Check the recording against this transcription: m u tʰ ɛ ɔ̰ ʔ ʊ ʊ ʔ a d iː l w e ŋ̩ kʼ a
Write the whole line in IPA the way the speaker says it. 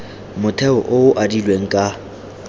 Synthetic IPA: m ʊ tʰ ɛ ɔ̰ ʔ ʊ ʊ ʔ a d i l w e ŋ̩ kʼ a

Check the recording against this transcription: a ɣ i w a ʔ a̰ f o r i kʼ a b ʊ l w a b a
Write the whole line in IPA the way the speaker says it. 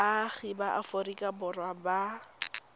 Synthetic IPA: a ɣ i b a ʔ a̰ f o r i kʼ a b ʊ r w a b a

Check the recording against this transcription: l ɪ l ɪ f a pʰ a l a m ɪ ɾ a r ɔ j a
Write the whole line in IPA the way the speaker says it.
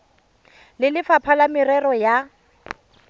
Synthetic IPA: l ɪ l ɪ f a pʰ a l a m ɪ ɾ ɛ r ɔ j a

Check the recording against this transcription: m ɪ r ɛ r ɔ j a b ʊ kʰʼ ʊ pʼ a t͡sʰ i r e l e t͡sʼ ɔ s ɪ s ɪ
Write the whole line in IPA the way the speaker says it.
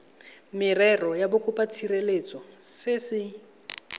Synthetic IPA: m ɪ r ɛ r ɔ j a b ʊ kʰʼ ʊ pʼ a t͡sʰ i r e l e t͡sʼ ɔ s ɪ s ɪ

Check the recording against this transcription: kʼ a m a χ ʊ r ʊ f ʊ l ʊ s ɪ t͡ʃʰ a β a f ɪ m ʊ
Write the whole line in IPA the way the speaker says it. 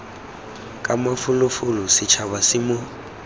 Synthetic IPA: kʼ a m a f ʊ l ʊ f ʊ l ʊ s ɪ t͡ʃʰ a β a s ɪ m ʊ

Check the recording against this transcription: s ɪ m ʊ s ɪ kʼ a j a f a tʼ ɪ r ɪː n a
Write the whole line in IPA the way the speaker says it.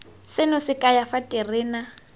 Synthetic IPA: s ɪ n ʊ s ɪ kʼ a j a f a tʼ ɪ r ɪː n a

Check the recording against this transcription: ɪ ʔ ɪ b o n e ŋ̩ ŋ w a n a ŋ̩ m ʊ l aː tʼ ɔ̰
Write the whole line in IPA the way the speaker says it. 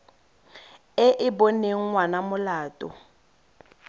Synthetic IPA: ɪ ʔ ɪ b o n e ŋ̩ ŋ w a n a m ʊ l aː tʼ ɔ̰

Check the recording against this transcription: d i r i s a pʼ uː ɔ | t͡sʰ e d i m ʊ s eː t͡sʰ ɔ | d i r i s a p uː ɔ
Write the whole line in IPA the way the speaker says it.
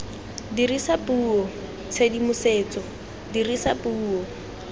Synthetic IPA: d i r i s a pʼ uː ɔ | t͡sʰ e d i m ʊ s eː t͡s ɔ | d i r i s a p uː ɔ

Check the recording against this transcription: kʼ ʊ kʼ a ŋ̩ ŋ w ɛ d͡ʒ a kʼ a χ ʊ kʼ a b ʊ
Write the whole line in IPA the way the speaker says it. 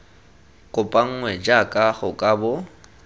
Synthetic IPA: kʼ ʊ pʼ a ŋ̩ ŋ w ɛ d͡ʒ a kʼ a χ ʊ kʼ a b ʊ

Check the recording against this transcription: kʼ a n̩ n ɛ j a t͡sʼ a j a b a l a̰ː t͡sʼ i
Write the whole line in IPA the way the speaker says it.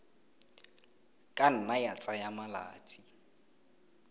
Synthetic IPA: kʼ a n̩ n a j a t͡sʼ a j a m a l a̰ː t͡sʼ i

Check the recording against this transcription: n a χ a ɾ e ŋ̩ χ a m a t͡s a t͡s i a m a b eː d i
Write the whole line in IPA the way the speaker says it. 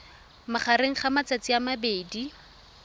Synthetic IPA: m a χ a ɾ e ŋ̩ χ a m a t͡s a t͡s i a m a b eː d i

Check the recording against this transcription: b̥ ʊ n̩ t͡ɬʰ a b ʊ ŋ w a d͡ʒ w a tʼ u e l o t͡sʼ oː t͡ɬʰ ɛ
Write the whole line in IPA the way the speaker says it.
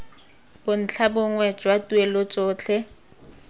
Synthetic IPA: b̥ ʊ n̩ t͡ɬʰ a b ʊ ŋ w ɛ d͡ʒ w a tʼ u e l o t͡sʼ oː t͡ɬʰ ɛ

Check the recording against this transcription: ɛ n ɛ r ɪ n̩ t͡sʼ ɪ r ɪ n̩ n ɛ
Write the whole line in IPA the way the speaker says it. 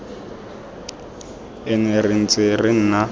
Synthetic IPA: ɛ n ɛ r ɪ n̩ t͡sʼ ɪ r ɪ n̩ n a

